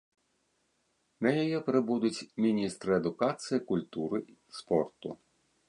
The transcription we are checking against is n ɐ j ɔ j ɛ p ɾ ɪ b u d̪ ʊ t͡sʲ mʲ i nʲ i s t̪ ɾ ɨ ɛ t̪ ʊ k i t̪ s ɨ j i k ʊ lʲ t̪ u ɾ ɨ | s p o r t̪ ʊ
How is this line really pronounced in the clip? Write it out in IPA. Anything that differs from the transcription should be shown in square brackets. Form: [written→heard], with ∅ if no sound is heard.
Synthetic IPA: n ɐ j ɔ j ɛ p ɾ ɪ b u d̪ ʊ t͡sʲ mʲ i nʲ i s t̪ ɾ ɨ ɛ [t̪→d̪] ʊ k [i→a] t̪ s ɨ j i k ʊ lʲ t̪ u ɾ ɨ | s p [o→ɔ] r t̪ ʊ